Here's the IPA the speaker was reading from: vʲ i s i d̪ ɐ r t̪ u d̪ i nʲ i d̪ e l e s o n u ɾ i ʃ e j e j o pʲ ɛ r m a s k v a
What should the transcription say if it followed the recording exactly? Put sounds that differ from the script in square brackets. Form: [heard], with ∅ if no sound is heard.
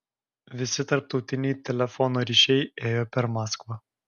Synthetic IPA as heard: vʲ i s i [t̪] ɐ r t̪ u [t̪] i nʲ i [t̪] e l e [f] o n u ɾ i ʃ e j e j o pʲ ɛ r m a s k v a

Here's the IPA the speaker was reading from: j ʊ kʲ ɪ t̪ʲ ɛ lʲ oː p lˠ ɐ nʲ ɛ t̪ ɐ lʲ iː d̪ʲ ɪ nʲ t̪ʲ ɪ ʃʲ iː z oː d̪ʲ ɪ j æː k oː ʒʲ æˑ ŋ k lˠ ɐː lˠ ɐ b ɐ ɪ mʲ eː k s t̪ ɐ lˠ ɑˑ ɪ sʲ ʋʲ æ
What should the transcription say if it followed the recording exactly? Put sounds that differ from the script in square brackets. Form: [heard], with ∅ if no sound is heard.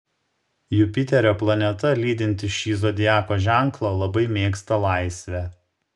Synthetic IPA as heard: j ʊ [pʲ] ɪ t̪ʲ ɛ [ɾʲ] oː p lˠ ɐ nʲ ɛ t̪ ɐ lʲ iː d̪ʲ ɪ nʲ t̪ʲ ɪ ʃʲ iː z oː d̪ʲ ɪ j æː k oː ʒʲ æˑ ŋ k lˠ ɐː lˠ ɐ b ɐ ɪ mʲ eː k s t̪ ɐ lˠ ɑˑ ɪ sʲ ʋʲ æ

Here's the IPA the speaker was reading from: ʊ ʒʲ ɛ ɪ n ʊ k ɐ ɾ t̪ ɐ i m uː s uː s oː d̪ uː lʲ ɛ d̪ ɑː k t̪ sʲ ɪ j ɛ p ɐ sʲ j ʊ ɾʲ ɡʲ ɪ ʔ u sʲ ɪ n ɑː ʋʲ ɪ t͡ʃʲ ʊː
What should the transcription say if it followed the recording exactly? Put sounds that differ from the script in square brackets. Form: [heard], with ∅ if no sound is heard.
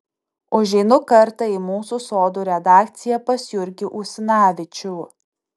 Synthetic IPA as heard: ʊ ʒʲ ɛ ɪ n ʊ k ɐ ɾ t̪ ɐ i m uː s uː s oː d̪ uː [ɾʲ] ɛ d̪ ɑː k t̪ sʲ ɪ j ɛ p ɐ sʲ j ʊ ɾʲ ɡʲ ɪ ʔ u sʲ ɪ n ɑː ʋʲ ɪ t͡ʃʲ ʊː

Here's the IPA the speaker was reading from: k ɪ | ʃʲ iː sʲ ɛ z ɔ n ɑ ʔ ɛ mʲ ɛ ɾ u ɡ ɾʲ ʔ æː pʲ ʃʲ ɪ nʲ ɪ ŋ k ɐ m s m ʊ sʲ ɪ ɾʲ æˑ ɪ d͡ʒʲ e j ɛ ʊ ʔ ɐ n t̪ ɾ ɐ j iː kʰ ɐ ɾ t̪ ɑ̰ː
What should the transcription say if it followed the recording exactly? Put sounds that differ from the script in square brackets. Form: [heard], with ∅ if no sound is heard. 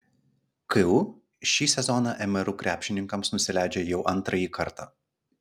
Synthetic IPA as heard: k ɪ | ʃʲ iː sʲ ɛ z ɔ n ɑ ʔ ɛ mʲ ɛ ɾ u [k] ɾʲ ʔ æː pʲ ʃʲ ɪ nʲ ɪ ŋ k ɐ m s [n] ʊ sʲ ɪ [lʲ] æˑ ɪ d͡ʒʲ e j ɛ ʊ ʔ ɐ n t̪ ɾ ɐ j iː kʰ ɐ ɾ t̪ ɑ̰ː

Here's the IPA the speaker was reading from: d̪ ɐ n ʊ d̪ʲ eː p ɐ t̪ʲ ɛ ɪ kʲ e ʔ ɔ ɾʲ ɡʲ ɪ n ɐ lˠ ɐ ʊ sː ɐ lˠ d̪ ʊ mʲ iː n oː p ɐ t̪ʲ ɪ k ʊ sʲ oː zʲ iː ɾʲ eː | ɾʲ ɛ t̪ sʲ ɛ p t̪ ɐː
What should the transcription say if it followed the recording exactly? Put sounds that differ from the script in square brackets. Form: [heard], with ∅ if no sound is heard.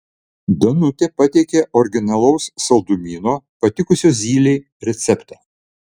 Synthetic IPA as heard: d̪ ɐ n ʊ [t̪ʲ] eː p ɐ t̪ʲ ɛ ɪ kʲ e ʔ ɔ ɾʲ ɡʲ ɪ n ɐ lˠ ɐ ʊ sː ɐ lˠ d̪ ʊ mʲ iː n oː p ɐ t̪ʲ ɪ k ʊ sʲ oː zʲ iː [lʲ] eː | ɾʲ ɛ t̪ sʲ ɛ p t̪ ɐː

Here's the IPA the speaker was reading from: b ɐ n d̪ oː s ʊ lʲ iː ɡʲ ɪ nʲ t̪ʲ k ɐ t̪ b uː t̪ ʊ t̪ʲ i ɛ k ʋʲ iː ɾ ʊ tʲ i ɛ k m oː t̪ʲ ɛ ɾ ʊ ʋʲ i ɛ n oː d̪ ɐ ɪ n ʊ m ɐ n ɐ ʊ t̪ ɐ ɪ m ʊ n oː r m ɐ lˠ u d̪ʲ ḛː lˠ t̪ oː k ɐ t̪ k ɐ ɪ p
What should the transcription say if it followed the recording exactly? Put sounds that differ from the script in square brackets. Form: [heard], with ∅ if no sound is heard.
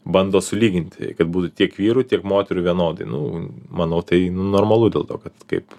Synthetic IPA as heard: b ɐ n d̪ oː s ʊ lʲ iː ɡʲ ɪ nʲ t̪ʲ k ɐ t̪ b uː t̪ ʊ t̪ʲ i ɛ k ʋʲ iː ɾ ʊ tʲ i ɛ k m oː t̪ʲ ɛ ɾ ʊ ʋʲ i ɛ n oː d̪ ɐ ɪ n ʊ m ɐ n ɐ ʊ t̪ ɐ ɪ [n] ʊ n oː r m ɐ lˠ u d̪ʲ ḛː lˠ t̪ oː k ɐ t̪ k ɐ ɪ p

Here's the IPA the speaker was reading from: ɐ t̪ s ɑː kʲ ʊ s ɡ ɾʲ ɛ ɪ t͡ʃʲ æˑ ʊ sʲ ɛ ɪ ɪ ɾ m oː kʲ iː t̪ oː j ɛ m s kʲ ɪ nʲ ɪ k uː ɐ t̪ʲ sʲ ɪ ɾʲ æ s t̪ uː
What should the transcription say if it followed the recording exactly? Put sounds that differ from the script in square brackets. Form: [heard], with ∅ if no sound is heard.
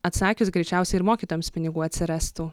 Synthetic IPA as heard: ɐ t̪ s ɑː kʲ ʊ s ɡ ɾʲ ɛ ɪ t͡ʃʲ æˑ ʊ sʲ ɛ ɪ ɪ ɾ m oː kʲ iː t̪ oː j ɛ m s [pʲ] ɪ nʲ ɪ [ɡ] uː ɐ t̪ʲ sʲ ɪ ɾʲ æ s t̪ uː

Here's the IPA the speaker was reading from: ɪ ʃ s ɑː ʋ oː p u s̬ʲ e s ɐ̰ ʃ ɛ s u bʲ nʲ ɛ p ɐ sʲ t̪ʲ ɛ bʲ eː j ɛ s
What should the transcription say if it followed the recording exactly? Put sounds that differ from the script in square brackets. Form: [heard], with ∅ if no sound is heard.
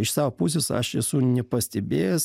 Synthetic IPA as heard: ɪ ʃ s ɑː ʋ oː p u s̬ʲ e s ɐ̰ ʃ ɛ s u [∅] nʲ ɛ p ɐ sʲ t̪ʲ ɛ bʲ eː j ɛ s

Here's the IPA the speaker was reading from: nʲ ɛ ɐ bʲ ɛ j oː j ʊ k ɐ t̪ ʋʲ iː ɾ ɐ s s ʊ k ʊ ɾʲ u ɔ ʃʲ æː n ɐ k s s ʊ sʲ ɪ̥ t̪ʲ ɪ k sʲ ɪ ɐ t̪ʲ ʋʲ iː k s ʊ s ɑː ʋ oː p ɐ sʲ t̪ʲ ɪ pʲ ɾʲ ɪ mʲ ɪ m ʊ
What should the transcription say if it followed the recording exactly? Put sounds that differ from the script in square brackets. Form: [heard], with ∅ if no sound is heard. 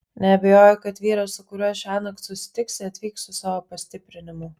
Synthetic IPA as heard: nʲ ɛ ɐ bʲ ɛ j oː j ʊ k ɐ t̪ ʋʲ iː ɾ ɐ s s ʊ k ʊ ɾʲ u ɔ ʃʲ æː n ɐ k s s ʊ sʲ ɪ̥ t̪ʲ ɪ k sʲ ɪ ɐ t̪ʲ ʋʲ iː k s ʊ s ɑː ʋ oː p ɐ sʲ t̪ʲ ɪ pʲ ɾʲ ɪ [nʲ] ɪ m ʊ

